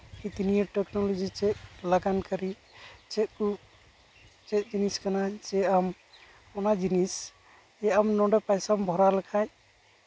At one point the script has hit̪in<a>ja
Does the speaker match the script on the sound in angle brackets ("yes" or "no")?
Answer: no